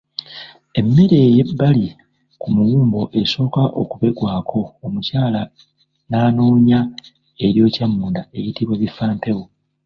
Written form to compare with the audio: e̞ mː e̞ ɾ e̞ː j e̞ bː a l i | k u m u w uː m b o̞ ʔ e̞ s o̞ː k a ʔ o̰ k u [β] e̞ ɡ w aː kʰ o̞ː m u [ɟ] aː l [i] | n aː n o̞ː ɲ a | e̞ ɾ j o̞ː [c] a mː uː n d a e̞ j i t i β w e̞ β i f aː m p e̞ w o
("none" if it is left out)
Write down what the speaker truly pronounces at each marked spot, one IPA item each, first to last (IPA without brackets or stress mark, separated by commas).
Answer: β, c, a, c